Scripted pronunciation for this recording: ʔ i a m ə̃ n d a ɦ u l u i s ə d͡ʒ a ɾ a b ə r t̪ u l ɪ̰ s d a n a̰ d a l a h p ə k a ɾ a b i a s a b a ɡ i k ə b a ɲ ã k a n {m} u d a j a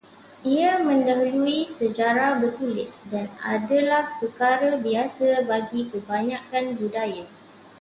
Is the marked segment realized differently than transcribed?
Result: yes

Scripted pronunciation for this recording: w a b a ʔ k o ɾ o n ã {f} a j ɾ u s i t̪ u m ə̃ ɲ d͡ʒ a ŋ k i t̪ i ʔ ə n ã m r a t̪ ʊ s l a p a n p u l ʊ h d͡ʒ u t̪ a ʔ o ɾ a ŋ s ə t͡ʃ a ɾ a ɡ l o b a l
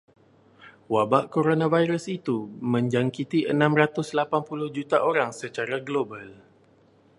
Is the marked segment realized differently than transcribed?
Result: yes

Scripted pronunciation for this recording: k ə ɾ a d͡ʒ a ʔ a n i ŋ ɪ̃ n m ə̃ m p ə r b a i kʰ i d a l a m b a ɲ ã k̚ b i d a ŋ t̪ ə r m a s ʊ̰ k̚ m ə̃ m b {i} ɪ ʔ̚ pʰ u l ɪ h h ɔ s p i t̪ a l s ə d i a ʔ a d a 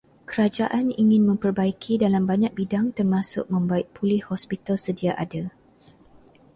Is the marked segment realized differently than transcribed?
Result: yes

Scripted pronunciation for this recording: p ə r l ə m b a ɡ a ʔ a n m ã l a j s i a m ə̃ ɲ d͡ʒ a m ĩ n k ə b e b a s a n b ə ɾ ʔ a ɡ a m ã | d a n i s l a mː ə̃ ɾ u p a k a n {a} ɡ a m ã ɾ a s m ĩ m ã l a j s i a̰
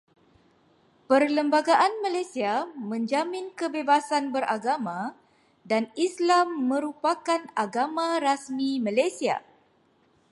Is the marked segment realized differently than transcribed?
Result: no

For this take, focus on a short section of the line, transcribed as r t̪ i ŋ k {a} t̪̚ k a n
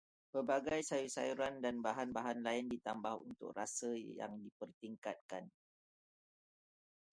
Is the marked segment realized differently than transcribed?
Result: no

